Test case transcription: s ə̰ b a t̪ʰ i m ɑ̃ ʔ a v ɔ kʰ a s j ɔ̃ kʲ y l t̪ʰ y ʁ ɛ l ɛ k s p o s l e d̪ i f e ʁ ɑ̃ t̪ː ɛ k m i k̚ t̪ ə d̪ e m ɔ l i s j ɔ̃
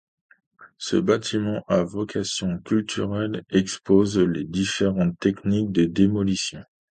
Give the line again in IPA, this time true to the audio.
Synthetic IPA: s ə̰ b a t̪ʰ i m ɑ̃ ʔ a v ɔ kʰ a s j ɔ̃ kʲ y l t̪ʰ y ʁ ɛ l ɛ k s p o z l e d̪ i f e ʁ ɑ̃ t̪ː ɛ k n i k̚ d̪ ə d̪ e m ɔ l i s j ɔ̃